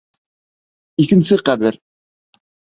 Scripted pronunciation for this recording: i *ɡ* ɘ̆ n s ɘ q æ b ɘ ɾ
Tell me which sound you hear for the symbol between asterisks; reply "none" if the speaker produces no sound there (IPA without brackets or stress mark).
k